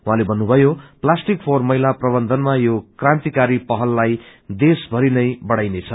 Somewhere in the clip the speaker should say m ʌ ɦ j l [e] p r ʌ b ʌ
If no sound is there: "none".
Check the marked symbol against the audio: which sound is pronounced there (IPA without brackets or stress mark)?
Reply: a